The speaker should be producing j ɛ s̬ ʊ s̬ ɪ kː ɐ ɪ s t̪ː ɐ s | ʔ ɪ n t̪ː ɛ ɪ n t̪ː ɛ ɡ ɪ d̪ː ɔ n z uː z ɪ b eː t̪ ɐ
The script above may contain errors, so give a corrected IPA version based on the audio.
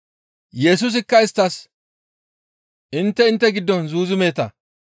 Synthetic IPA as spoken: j ɛ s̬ ʊ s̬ ɪ kː ɐ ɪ s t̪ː ɐ s | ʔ ɪ n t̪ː ɛ ɪ n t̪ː ɛ ɡ ɪ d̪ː ɔ n z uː z ɪ m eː t̪ ɐ

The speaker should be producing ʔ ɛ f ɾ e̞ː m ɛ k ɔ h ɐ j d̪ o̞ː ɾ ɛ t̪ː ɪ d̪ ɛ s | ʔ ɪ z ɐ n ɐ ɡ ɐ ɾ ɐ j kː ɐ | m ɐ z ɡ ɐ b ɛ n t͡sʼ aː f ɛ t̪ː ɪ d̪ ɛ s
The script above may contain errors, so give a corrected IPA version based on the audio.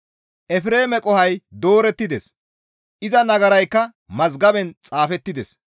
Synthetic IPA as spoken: ʔ ɛ f ɾ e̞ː m ɛ kʼ ɔ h ɐ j d̪ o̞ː ɾ ɛ t̪ː ɪ d̪ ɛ s | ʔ ɪ z ɐ n ɐ ɡ ɐ ɾ ɐ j kː ɐ | m ɐ z ɡ ɐ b ɛ n t͡sʼ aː f ɛ t̪ː ɪ d̪ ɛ s

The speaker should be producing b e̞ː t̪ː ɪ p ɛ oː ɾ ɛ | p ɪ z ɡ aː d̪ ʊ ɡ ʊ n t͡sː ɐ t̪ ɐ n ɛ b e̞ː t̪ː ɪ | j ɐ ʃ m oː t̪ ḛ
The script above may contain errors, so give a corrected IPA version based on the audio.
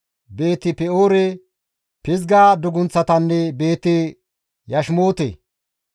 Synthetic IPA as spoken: b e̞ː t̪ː ɪ p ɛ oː ɾ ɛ | p ɪ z ɡ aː d̪ ʊ ɡ ʊ n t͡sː ɐ t̪ ɐ nː ɛ b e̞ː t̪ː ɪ | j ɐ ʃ m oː t̪ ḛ

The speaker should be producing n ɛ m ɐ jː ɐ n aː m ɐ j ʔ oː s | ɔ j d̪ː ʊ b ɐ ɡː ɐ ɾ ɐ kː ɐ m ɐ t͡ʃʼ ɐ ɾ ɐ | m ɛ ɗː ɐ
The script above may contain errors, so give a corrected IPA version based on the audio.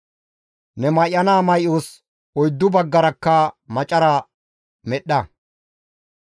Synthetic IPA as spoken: n ɛ m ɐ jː ɐ n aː m ɐ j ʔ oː s | ɔ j d̪ː ʊ b ɐ ɡː ɐ ɾ ɐ kː ɐ m ɐ t͡ʃʼ ɐ ɾ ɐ | m ɛ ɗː ɐ

